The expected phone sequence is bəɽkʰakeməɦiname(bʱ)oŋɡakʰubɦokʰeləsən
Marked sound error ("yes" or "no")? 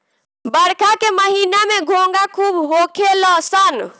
yes